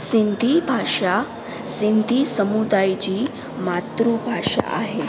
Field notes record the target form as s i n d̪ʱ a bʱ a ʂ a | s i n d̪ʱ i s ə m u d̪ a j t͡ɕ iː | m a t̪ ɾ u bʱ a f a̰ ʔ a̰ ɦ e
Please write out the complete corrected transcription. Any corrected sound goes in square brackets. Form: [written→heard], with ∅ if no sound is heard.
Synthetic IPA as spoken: s i n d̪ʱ [a→i] bʱ a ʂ a | s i n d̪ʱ i s ə m u d̪ a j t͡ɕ iː | m a t̪ ɾ u bʱ a [f→ʂ] a̰ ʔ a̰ ɦ e